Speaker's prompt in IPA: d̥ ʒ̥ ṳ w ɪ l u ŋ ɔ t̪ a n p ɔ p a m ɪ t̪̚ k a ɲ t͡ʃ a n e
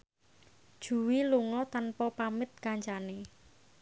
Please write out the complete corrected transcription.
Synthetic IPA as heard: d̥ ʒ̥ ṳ w i l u ŋ ɔ t̪ a n p ɔ p a m ɪ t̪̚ k a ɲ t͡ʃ a n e